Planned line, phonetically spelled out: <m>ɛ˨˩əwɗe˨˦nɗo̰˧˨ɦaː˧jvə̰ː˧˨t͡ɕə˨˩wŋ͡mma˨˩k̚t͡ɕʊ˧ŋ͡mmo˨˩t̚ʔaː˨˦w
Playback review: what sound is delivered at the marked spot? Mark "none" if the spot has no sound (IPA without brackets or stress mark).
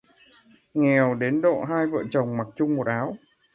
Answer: ŋ